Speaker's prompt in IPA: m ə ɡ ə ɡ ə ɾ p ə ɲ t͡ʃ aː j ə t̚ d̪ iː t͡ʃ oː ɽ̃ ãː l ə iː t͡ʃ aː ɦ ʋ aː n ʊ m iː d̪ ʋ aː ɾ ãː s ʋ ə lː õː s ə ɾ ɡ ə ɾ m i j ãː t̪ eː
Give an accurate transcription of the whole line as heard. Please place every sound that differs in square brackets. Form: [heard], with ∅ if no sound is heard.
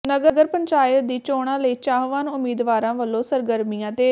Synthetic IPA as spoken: [n] ə ɡ ə ɡ ə ɾ p ə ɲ t͡ʃ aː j ə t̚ d̪ iː t͡ʃ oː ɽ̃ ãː l ə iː t͡ʃ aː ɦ ʋ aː n ʊ m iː d̪ ʋ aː ɾ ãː [∅] ʋ ə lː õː s ə ɾ ɡ ə ɾ m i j ãː t̪ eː